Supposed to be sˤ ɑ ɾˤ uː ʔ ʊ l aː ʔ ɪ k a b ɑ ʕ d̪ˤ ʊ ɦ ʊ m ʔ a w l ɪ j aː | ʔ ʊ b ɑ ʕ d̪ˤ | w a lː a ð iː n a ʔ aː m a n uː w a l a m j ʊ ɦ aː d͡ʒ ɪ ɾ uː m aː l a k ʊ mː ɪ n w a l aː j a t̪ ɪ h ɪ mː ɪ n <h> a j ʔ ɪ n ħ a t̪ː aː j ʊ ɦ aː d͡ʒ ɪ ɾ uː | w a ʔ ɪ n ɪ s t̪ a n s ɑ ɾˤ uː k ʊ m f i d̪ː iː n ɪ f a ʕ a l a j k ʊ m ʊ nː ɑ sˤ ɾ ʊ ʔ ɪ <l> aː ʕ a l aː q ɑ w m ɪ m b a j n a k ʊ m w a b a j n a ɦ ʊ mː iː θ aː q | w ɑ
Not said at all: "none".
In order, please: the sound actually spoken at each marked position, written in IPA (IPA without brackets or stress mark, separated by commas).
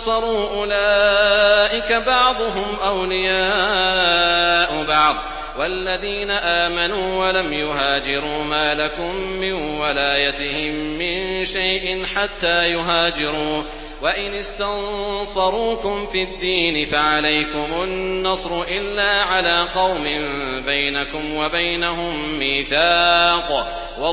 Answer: ʃ, lː